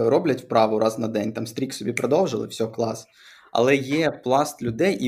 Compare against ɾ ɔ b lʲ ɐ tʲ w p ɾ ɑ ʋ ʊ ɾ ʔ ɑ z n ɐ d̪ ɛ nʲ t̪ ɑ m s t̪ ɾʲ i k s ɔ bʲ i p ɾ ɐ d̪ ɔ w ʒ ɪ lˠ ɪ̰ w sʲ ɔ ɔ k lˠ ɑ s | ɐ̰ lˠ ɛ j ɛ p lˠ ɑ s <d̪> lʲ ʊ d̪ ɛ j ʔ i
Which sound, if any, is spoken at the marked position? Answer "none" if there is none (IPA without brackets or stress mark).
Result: t̪